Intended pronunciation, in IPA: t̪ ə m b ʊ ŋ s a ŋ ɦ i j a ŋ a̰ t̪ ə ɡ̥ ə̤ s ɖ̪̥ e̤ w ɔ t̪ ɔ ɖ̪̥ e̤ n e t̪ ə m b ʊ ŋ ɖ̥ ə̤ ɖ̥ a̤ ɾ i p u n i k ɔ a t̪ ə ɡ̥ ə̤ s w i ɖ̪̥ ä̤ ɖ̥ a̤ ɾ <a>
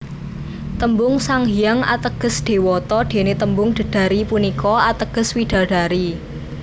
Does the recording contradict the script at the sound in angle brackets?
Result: yes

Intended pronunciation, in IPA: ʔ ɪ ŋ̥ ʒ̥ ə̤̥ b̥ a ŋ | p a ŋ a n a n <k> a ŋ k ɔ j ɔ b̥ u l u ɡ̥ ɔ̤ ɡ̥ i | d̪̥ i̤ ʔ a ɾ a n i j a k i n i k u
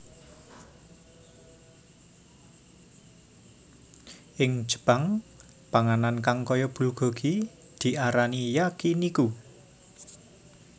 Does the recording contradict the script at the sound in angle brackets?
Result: no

